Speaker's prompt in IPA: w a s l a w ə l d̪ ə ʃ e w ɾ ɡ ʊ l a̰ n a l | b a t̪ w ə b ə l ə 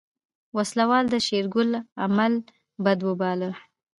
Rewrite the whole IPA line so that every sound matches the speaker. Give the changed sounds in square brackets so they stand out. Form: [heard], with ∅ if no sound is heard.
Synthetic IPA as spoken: w a s l a w [ɑ] l d̪ ə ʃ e [∅] ɾ ɡ ʊ l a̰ [m] a l | b a [d̪] w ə b [ɑ] l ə